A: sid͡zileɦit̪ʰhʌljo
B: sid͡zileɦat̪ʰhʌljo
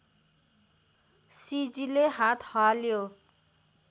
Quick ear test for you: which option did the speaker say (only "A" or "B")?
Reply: B